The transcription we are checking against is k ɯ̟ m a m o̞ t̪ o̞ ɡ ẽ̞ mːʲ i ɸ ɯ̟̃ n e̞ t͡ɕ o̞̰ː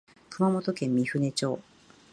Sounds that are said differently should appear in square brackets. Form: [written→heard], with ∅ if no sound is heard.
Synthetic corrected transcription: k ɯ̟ m a m o̞ t̪ o̞ [ɡ→k] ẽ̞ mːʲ i ɸ [ɯ̟̃→ɯ̟] n e̞ t͡ɕ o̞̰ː